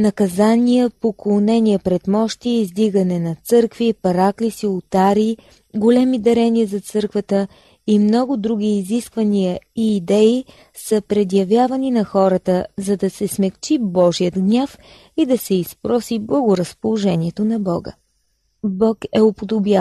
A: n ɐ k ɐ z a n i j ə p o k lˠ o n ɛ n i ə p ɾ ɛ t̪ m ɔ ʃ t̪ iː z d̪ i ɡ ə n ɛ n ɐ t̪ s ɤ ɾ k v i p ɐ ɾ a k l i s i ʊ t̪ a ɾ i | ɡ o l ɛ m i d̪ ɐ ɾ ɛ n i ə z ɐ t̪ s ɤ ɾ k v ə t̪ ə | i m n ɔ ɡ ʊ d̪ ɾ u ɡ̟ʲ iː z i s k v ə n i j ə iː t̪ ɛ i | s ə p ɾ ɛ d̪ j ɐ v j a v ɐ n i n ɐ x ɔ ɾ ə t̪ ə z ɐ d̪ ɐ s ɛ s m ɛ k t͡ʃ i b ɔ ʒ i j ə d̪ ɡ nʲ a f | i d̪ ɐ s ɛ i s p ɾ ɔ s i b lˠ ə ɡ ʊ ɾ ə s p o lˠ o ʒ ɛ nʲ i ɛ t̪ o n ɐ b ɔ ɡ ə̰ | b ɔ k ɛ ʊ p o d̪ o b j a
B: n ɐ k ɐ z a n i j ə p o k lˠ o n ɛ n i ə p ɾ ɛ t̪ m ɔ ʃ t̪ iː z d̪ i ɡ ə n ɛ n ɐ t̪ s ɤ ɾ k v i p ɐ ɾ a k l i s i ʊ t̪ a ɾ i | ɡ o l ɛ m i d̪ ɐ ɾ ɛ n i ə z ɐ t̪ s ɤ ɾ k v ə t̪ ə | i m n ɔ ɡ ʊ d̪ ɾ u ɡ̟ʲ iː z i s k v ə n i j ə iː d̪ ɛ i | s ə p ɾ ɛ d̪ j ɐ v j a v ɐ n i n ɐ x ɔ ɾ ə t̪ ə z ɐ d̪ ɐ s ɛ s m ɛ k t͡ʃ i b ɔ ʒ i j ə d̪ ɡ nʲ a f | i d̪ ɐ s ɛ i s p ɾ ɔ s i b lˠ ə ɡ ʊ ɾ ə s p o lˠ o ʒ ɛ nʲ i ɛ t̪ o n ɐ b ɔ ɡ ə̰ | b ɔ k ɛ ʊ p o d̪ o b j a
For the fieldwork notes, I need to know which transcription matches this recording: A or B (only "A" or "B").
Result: B